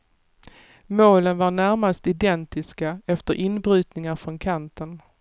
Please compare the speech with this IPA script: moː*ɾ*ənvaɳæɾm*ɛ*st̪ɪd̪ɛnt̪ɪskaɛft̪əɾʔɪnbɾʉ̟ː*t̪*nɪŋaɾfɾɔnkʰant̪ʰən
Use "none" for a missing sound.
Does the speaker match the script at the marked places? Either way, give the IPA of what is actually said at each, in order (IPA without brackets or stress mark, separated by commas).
l, a, t̪